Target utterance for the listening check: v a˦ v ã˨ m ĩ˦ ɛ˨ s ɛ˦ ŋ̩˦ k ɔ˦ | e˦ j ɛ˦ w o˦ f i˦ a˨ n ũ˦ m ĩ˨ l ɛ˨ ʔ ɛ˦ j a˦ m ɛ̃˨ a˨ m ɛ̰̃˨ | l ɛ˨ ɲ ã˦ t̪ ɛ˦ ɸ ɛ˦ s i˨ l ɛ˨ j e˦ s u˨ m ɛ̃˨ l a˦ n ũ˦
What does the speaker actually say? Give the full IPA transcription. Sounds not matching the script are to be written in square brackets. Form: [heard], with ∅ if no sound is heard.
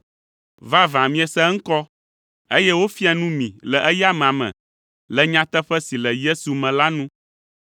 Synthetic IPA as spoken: v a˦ v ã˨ m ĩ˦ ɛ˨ s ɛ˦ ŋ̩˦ k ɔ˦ | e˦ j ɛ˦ w o˦ f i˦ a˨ n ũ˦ m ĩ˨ l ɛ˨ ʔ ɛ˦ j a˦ m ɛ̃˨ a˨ m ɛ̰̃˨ | l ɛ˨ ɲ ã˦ t̪ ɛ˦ ɸ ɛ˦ s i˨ l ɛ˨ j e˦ s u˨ m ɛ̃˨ l a˦ n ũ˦